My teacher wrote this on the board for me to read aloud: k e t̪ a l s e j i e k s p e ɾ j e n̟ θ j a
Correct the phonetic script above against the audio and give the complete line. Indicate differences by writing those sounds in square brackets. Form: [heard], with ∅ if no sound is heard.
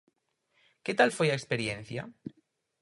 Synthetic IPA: k e t̪ a l [f] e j [a] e k s p e ɾ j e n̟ θ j a

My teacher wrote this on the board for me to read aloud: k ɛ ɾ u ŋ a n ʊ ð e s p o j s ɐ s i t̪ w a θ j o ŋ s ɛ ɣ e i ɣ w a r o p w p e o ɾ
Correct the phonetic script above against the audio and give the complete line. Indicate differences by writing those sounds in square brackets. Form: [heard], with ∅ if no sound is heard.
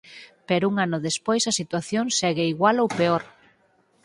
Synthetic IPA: [p] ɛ ɾ u ŋ a n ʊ ð e s p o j s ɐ s i t̪ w a θ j o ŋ s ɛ ɣ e i ɣ w a [l] o [∅] w p e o ɾ

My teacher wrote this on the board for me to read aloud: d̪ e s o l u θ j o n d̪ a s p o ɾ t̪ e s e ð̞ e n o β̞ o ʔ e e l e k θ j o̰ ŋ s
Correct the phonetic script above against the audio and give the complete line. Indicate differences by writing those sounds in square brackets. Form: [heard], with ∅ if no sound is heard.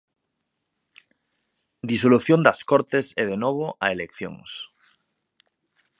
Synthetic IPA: d̪ [i] s o l u θ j o n d̪ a s [k] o ɾ t̪ e s e ð̞ e n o β̞ o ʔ [a] e l e k θ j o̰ ŋ s

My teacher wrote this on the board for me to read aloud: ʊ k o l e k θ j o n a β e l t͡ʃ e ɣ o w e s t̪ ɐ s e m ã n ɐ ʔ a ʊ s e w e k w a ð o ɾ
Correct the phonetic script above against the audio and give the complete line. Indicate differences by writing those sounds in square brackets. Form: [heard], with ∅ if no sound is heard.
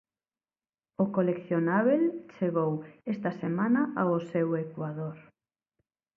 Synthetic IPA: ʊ k o l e k θ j o n a β e l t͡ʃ e ɣ o w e s t̪ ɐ s e m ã n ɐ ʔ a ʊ s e w e k w a ð o ɾ

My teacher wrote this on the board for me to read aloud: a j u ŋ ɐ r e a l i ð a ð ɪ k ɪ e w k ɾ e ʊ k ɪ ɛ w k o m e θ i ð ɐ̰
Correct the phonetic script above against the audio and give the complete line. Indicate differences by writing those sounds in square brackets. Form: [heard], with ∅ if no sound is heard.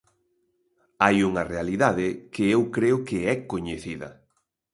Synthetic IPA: a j u ŋ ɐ r e a l i ð a ð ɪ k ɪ e w k ɾ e ʊ k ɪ ɛ [∅] k o [ɲ] e θ i ð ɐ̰

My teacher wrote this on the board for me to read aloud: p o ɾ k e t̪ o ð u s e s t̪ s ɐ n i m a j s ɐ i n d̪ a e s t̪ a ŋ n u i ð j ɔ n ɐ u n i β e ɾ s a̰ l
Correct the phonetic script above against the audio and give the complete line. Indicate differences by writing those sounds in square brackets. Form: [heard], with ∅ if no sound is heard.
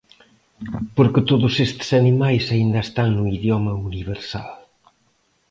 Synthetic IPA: p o ɾ k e t̪ o ð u s e s t̪ s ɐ n i m a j s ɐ i n d̪ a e s t̪ a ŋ n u i ð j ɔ [m] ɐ u n i β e ɾ s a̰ l

